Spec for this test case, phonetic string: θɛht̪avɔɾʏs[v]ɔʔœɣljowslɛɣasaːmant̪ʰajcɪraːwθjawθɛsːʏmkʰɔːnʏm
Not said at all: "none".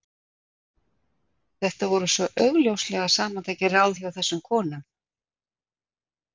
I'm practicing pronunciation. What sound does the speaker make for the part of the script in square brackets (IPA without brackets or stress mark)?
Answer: v